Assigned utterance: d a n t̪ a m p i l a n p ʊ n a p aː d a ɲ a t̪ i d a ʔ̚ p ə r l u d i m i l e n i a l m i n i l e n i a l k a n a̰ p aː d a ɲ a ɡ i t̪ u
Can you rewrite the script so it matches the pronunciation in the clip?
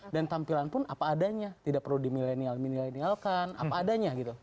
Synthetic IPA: d a n t̪ a m p i l a n p ʊ n a p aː d a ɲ a t̪ i d a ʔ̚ p ə r l u d i m i l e n i a l m i n i l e n i a l k a n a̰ p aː d a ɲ a ɡ i t̪ u